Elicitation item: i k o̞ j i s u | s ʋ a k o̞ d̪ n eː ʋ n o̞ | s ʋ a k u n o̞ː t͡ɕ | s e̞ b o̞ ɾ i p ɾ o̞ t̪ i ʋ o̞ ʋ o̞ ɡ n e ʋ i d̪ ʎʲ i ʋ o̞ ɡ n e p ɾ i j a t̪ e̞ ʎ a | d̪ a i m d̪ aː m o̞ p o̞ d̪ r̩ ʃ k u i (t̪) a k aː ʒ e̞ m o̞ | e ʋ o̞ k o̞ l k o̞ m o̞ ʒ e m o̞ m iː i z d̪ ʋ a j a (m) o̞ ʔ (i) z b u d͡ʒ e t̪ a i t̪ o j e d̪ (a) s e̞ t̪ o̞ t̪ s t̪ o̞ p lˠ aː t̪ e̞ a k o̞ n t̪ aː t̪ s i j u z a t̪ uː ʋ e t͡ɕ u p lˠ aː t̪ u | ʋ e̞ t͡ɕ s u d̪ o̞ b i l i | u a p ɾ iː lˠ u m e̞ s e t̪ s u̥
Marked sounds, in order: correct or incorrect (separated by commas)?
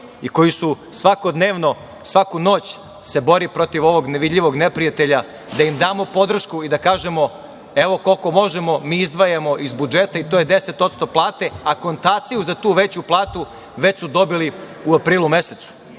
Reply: incorrect, correct, correct, incorrect